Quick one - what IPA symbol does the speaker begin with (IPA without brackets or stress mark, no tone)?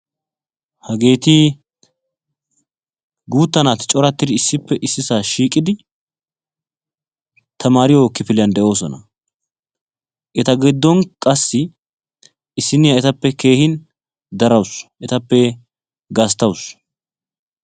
h